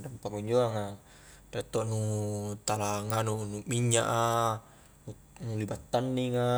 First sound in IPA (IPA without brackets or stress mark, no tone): d